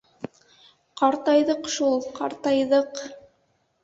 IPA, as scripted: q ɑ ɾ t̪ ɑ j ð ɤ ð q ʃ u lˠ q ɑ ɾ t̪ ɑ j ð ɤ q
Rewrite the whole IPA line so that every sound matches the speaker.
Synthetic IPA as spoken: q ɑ ɾ t̪ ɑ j ð ɤ q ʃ u lˠ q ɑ ɾ t̪ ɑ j ð ɤ q